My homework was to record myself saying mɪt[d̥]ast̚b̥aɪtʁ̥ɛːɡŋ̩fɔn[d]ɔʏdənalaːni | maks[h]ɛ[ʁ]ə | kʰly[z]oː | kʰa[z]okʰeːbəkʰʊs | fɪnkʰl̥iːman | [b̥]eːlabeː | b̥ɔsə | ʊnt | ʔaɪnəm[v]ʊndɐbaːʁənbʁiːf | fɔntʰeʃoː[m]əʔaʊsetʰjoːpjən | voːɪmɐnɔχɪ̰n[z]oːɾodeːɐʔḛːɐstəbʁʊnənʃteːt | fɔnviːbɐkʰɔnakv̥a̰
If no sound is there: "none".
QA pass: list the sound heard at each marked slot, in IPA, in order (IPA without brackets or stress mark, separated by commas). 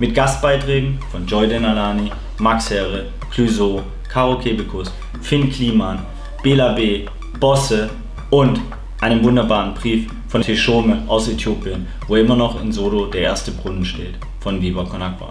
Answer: ɡ̥, d͡ʒ, h, ʁ, z, ʁ, b̥, v, m, z